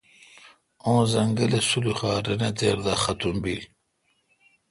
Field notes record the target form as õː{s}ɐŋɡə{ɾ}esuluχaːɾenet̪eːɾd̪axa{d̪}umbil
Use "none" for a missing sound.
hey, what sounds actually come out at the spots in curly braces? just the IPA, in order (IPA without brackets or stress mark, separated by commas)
z, l, t̪